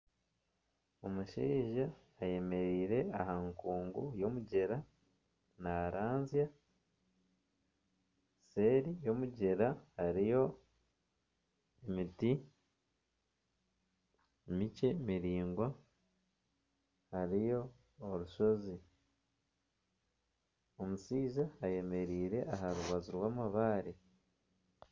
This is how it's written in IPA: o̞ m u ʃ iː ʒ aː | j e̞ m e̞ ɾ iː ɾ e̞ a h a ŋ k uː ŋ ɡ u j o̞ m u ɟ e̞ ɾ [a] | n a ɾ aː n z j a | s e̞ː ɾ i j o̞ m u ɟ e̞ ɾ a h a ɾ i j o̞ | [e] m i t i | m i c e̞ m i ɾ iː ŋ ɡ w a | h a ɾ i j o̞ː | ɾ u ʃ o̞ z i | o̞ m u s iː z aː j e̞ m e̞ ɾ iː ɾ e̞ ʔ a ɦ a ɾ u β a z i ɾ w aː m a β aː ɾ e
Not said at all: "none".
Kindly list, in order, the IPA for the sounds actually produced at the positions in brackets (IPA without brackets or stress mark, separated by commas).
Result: a, e